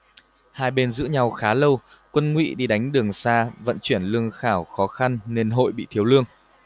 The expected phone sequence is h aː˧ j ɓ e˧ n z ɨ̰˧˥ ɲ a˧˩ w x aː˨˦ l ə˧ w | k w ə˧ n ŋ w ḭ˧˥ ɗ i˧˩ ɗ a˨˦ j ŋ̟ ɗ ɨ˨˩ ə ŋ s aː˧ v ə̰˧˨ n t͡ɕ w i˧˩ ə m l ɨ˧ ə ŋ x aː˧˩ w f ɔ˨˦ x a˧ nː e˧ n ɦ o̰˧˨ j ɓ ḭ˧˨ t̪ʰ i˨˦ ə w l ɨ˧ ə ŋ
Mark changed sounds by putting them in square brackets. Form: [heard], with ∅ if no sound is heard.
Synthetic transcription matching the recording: h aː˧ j ɓ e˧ n z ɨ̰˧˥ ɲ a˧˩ w x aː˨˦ l ə˧ w | k w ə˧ n ŋ w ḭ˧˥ ɗ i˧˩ ɗ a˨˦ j ŋ̟ ɗ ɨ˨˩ ə ŋ s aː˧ v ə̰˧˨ n t͡ɕ w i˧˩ ə [n] l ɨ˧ ə ŋ x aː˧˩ w [x] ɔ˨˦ x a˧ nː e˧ n ɦ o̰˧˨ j ɓ ḭ˧˨ t̪ʰ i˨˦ ə w l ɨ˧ ə ŋ

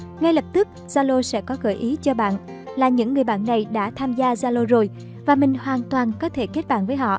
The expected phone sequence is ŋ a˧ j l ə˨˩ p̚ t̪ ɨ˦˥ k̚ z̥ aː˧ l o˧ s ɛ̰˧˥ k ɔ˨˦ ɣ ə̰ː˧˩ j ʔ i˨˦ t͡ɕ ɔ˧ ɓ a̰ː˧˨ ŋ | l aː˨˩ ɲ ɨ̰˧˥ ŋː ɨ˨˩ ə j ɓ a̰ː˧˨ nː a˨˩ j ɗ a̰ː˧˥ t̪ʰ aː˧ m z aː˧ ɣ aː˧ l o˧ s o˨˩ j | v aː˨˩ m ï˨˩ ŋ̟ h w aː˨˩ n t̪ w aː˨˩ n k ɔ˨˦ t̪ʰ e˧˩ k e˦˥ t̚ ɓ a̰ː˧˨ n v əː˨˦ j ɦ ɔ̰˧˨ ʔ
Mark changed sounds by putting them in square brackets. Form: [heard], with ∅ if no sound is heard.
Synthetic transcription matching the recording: ŋ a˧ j l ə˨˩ p̚ t̪ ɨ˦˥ k̚ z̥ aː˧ l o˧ s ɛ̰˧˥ k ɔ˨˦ ɣ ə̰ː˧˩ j ʔ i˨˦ t͡ɕ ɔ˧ ɓ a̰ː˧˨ [n] | l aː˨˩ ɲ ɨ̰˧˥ ŋː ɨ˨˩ ə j ɓ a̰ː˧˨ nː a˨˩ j ɗ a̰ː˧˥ t̪ʰ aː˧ m z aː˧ [z] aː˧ l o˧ [z] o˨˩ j | v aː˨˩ m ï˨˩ ŋ̟ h w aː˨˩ n t̪ w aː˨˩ n k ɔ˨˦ t̪ʰ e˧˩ k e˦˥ t̚ ɓ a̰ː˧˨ n v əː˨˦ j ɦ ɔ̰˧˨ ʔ

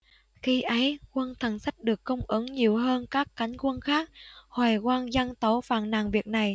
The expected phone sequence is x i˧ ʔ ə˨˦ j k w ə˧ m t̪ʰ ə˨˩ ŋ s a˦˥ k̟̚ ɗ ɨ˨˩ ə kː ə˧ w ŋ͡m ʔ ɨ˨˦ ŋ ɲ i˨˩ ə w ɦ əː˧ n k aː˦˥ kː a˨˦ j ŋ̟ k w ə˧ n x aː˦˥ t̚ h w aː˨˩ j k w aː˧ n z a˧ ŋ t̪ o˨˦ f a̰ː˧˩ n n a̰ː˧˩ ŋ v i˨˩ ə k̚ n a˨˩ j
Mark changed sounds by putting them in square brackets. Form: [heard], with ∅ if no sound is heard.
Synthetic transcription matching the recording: x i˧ ʔ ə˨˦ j k w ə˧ [n] t̪ʰ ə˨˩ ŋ s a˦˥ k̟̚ ɗ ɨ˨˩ ə kː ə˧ w ŋ͡m ʔ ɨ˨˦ ŋ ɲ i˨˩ ə w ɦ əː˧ n k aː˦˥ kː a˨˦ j ŋ̟ k w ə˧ n x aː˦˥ [k̚] h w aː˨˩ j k w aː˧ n z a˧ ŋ t̪ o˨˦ f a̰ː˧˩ n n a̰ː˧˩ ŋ v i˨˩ ə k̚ n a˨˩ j

